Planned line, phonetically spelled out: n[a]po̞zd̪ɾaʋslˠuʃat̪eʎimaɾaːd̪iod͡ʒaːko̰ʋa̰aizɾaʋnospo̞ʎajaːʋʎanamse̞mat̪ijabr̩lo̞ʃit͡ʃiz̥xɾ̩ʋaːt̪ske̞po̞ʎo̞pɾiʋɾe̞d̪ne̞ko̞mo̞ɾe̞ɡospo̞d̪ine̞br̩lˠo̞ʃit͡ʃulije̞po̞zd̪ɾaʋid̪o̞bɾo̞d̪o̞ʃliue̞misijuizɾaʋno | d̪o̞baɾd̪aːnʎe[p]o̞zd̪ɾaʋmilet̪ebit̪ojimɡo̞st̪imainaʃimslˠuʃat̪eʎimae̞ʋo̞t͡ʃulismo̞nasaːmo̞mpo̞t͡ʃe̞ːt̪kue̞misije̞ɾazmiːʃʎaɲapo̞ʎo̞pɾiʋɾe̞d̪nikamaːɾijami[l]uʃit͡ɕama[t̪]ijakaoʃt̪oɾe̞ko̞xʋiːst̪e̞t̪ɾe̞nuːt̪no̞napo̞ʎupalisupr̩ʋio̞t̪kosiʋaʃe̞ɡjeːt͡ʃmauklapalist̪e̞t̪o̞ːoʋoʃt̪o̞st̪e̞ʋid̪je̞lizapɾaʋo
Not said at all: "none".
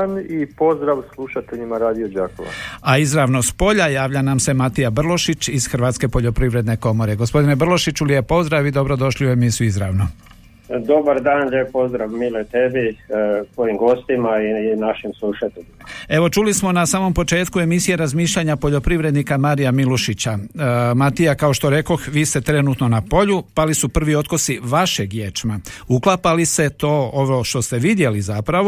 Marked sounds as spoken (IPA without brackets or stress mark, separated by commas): i, p, l, t̪